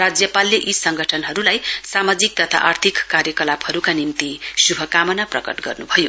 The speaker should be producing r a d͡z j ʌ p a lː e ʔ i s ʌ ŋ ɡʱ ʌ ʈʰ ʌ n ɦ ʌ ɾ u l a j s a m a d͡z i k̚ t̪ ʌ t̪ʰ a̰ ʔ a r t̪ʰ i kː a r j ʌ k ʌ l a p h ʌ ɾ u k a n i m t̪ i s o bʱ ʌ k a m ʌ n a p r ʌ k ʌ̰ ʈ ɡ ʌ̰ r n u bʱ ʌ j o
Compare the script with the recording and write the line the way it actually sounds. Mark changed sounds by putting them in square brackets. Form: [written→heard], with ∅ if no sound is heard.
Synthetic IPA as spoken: r a d͡z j ʌ p a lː e ʔ i s ʌ ŋ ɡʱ ʌ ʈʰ ʌ n ɦ ʌ ɾ u l a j s a m a d͡z i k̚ t̪ ʌ t̪ʰ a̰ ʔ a r t̪ʰ i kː a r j ʌ k ʌ l a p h ʌ ɾ u k a n i m t̪ i s [o→u] bʱ ʌ k a m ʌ n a p r ʌ k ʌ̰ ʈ ɡ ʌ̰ r n u bʱ ʌ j o